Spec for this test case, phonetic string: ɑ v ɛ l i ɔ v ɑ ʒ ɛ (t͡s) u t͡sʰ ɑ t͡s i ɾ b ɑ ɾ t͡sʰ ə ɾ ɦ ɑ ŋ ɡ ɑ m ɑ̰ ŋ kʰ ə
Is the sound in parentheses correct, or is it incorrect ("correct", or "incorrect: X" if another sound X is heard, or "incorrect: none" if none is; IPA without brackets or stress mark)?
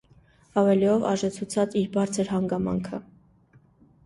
incorrect: t͡sʰ